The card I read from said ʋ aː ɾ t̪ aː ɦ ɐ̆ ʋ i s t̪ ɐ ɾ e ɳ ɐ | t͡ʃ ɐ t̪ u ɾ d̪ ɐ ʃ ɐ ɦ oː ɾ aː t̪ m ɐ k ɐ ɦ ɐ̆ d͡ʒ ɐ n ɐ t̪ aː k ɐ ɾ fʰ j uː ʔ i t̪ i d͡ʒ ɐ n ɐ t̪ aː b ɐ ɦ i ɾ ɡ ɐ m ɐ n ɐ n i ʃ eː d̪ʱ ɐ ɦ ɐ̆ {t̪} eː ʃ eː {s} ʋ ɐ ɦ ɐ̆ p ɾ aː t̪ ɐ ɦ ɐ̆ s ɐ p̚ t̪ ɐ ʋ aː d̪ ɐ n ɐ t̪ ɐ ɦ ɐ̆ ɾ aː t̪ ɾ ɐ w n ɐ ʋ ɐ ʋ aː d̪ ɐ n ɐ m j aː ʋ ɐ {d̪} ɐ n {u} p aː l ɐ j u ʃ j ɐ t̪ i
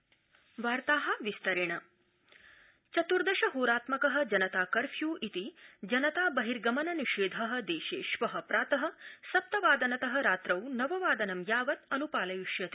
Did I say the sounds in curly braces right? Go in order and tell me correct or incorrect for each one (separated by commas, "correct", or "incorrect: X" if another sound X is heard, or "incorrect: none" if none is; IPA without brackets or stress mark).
incorrect: d̪, incorrect: ʃ, incorrect: t̪, correct